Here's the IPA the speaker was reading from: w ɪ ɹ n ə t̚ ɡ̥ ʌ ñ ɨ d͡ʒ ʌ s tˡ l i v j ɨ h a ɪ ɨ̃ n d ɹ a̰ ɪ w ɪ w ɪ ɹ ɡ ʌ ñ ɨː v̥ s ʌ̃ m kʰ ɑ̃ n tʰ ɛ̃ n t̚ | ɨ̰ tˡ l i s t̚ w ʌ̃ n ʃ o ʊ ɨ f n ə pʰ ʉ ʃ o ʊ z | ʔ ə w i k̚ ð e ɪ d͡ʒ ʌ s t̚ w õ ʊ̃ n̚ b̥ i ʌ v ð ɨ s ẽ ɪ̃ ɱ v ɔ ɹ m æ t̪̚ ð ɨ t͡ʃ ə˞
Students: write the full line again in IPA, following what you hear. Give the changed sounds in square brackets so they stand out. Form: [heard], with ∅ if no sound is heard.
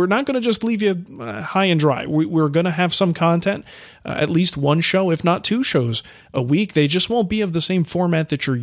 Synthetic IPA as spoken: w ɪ ɹ n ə t̚ ɡ̥ ʌ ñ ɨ d͡ʒ ʌ s tˡ l i v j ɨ h a ɪ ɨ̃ n d ɹ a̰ ɪ w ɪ w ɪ ɹ ɡ ʌ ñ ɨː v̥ s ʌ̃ m kʰ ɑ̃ n tʰ ɛ̃ n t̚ | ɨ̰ tˡ l i s t̚ w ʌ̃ n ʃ o ʊ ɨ f n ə [tʰ] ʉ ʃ o ʊ z | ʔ ə w i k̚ ð e ɪ d͡ʒ ʌ s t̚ w õ ʊ̃ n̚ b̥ i ʌ v ð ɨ s ẽ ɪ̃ ɱ [f] ɔ ɹ m æ t̪̚ ð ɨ t͡ʃ ə˞